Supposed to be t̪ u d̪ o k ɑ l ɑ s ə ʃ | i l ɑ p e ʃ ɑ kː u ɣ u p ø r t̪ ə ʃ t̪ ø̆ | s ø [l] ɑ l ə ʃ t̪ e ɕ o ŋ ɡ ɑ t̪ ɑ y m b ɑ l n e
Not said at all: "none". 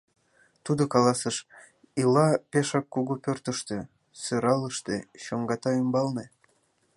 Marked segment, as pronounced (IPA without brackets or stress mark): ɾ